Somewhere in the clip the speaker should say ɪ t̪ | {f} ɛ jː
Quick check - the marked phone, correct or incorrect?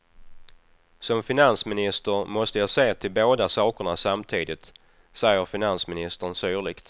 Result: incorrect